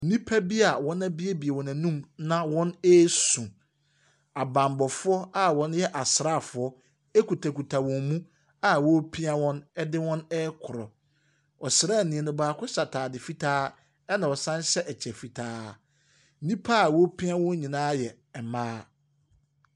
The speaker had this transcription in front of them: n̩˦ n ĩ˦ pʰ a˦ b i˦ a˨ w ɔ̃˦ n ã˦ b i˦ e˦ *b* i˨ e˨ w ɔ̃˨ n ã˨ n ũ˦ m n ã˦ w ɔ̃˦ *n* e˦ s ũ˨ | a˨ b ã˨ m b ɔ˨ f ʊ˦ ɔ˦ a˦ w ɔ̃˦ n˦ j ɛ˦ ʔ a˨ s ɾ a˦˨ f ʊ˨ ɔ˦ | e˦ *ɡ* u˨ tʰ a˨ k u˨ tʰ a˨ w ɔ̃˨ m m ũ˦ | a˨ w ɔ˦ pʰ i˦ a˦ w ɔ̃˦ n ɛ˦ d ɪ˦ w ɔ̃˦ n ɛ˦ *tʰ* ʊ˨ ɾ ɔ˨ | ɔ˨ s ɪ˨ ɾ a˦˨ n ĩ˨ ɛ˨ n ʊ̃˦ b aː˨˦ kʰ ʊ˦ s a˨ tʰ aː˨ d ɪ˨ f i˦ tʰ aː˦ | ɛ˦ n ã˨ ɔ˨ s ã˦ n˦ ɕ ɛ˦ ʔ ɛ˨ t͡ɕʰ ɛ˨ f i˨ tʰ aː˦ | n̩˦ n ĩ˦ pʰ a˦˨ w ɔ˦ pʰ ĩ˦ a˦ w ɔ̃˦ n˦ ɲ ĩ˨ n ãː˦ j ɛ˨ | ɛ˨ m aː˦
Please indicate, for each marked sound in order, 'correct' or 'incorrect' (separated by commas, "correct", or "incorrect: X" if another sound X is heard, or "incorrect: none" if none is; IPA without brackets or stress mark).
correct, correct, incorrect: k, incorrect: kʰ